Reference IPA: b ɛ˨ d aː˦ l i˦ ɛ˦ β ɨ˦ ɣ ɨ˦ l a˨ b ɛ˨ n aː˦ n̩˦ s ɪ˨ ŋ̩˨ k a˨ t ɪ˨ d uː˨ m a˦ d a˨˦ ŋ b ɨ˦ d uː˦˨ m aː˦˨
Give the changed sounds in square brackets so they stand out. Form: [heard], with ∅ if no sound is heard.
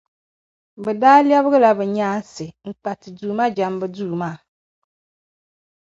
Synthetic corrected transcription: b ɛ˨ d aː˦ l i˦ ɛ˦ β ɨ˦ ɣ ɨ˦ l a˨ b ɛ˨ [ɲ] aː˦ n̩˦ s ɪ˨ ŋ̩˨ [k͡p] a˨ t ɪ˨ d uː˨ m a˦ [d͡ʒ] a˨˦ [m] b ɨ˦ d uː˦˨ m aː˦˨